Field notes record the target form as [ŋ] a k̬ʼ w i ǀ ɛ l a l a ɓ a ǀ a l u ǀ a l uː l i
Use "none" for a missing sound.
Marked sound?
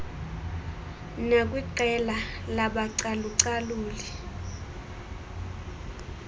n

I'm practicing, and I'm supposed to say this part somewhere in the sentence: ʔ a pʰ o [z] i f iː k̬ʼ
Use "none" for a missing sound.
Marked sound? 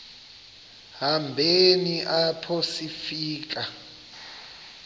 s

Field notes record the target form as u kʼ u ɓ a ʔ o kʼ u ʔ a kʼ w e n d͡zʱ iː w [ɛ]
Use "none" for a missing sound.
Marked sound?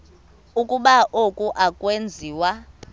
a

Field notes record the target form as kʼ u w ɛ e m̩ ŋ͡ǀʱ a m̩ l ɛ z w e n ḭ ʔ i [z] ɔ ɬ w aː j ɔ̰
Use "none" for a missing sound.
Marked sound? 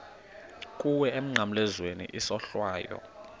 s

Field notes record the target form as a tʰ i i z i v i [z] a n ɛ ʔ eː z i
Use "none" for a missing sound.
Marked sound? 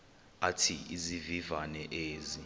v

